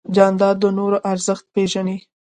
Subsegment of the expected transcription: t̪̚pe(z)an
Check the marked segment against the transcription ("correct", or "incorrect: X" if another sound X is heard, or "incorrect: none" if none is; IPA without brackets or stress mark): incorrect: ʒ